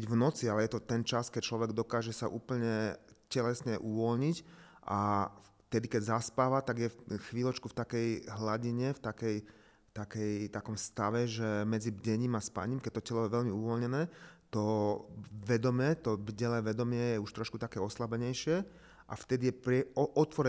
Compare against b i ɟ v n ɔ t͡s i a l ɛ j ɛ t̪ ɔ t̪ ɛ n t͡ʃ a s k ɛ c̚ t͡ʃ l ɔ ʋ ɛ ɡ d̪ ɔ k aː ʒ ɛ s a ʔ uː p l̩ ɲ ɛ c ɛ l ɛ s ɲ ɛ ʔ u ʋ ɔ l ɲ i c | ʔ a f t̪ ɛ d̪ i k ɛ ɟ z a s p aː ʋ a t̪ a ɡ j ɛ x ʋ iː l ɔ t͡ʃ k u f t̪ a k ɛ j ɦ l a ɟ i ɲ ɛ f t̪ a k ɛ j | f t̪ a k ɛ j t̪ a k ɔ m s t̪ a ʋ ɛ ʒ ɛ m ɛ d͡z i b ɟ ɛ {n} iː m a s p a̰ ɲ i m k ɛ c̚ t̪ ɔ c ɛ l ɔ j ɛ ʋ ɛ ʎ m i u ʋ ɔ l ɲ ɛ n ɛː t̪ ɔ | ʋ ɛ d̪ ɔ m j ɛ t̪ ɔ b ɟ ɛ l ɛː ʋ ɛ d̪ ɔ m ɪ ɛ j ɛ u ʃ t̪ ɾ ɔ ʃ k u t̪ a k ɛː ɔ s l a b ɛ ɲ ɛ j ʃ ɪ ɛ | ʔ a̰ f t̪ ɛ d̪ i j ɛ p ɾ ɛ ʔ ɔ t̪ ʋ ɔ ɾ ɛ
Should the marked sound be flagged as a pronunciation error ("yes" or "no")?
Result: yes